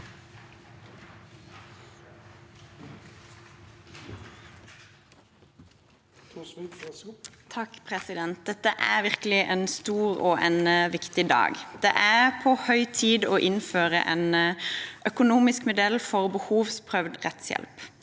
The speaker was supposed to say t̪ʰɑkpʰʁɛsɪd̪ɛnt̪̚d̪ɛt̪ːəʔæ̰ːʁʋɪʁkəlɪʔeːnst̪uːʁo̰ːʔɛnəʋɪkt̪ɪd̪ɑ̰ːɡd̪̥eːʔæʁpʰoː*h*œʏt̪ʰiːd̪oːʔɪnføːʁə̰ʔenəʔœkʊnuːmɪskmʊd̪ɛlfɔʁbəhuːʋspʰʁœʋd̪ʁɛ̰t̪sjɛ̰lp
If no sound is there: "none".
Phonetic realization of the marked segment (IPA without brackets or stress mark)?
h